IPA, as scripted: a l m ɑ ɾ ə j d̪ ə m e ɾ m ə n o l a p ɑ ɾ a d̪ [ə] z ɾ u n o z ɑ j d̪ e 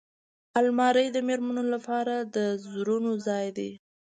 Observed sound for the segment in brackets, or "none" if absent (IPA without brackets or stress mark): ə